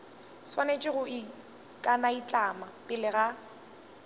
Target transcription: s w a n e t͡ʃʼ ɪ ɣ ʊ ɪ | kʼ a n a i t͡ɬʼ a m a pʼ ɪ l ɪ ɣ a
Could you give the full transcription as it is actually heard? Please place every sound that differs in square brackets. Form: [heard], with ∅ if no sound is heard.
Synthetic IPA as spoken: s w a n e t͡ʃʼ ɪ ɣ ʊ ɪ | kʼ a n a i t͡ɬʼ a m a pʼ ɪ l ɪ ɣ a

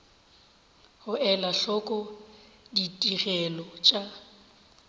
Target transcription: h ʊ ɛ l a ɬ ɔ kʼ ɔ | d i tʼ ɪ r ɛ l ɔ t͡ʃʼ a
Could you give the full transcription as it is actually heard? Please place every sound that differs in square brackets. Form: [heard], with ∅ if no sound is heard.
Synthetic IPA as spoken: h ʊ ɛ l a ɬ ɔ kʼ ɔ | d i tʼ [i] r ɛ l ɔ t͡ʃʼ a

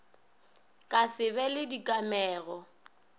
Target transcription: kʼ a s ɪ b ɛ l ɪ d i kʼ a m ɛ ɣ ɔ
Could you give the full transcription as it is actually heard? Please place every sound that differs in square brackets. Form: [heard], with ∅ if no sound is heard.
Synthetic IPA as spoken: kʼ a s ɪ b ɛ l ɪ d i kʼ a m [ɛː] ɣ ɔ

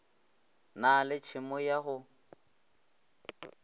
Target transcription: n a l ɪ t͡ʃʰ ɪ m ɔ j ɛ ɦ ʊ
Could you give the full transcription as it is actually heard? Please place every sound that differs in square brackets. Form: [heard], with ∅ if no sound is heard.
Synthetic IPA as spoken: n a l ɪ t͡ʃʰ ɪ m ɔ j [a] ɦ ʊ

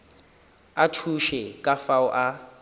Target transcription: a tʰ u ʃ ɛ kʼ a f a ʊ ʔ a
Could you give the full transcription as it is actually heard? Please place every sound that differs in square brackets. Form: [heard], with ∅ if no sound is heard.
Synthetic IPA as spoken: a tʰ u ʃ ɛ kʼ a f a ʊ ʔ a

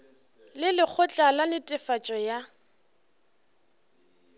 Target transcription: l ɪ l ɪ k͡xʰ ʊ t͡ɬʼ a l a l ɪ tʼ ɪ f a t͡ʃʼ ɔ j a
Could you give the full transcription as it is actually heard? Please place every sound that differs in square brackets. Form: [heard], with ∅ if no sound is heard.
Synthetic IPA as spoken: l ɪ l ɪ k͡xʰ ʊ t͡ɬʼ a l a l ɪ tʼ ɪ f a t͡ʃʼ ɔ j a

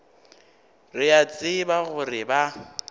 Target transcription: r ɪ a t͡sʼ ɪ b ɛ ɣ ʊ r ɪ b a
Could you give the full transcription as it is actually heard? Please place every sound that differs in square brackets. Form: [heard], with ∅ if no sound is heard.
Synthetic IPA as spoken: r ɪ a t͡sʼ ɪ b [a] ɣ ʊ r ɪ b a

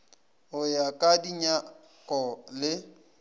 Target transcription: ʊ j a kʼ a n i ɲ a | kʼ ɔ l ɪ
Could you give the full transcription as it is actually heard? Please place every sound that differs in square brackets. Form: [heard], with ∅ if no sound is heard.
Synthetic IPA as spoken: ʊ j a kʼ a [d] i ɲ a | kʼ ɔ l ɪ

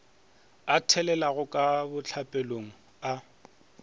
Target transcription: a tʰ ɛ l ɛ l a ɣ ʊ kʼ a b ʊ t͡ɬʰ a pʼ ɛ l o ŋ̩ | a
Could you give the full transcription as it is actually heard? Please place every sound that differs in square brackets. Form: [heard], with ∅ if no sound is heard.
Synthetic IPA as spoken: a tʰ ɛ l ɛ l a ɣ ʊ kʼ a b ʊ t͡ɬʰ a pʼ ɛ l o ŋ̩ | a

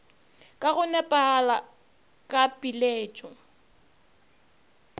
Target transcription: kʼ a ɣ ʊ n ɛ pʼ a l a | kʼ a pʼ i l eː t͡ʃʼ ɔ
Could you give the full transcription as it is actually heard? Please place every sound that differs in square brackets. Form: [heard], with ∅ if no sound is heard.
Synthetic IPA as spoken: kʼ a ɣ ʊ n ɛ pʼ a l a | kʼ a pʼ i l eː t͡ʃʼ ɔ

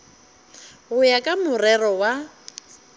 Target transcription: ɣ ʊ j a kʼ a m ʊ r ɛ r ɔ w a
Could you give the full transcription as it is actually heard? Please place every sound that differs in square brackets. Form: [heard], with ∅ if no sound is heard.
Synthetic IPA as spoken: ɣ ʊ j a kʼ a m ʊ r ɛ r ɔ w a

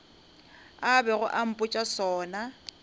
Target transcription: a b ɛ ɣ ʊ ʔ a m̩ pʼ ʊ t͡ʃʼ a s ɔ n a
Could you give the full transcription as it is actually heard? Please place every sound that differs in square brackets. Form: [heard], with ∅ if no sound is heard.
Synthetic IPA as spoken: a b ɛ ɣ ʊ ʔ a m̩ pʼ ʊ t͡ʃʼ a s [ɔː] n a

